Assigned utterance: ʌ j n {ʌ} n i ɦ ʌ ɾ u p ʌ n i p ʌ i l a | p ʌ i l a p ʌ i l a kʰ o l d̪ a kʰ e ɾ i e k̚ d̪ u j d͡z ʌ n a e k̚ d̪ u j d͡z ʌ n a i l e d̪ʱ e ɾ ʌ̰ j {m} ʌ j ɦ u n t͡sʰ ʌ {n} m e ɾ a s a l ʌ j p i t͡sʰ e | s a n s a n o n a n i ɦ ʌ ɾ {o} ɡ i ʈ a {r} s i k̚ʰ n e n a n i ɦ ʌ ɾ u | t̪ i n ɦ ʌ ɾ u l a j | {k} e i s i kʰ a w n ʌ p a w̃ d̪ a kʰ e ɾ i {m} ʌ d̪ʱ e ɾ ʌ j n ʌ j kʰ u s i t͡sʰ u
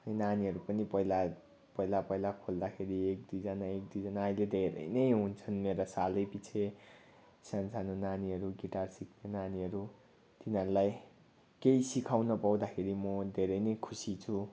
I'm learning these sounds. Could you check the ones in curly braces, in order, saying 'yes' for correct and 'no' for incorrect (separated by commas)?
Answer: no, no, yes, no, yes, yes, yes